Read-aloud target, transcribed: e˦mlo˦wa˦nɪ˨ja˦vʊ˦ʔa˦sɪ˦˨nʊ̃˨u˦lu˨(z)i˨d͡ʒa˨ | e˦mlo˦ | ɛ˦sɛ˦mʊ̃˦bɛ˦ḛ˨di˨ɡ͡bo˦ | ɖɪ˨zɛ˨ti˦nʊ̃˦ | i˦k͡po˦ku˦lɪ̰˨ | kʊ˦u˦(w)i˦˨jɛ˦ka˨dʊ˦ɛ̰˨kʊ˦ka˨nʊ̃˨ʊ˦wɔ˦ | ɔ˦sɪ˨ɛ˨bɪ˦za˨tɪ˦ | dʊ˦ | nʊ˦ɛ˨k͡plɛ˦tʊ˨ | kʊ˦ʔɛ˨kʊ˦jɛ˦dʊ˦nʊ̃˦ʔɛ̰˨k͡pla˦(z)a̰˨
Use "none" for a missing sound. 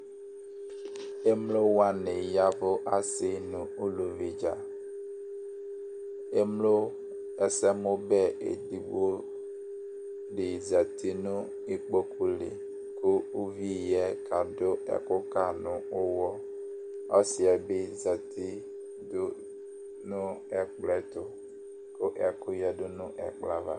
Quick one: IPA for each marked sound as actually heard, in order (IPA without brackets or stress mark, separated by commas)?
v, v, v